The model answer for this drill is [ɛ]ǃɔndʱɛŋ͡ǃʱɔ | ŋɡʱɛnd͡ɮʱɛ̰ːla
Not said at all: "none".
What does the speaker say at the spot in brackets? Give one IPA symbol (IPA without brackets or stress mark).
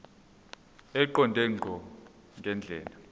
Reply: ɛ